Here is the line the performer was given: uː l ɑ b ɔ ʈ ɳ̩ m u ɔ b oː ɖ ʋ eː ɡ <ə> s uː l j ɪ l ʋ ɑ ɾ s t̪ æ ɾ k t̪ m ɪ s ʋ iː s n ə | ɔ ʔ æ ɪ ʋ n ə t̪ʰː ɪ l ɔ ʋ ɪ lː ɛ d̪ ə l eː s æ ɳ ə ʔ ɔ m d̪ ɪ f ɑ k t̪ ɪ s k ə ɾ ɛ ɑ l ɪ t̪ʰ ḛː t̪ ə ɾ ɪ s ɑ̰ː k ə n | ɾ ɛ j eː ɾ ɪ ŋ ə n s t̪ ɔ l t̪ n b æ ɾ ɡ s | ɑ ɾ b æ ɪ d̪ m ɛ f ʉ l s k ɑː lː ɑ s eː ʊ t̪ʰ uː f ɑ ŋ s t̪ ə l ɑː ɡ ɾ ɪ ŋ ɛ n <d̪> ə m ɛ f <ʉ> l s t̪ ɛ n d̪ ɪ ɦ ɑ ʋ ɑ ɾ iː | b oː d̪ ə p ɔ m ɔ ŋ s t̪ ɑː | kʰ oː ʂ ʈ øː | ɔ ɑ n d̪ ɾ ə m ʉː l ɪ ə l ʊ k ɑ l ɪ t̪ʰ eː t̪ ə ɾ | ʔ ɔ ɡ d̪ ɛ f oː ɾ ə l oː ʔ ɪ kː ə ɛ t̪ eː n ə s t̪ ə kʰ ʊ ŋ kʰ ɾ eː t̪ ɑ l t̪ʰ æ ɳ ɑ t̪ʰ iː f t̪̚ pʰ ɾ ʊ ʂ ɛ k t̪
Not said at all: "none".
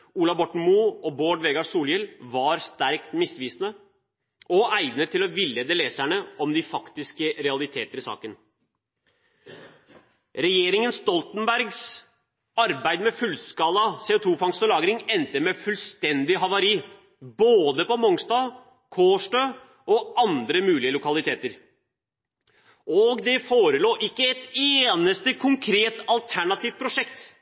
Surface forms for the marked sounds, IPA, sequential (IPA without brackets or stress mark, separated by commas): ɑ, t̪, ʉ